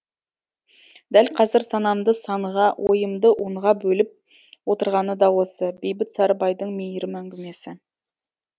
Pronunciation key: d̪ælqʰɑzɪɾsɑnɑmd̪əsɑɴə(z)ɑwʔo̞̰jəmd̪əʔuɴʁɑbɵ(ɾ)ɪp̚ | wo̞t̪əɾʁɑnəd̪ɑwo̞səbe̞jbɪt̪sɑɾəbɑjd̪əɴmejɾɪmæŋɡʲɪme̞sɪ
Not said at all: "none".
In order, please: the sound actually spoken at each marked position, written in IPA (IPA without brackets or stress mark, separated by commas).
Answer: ʁ, l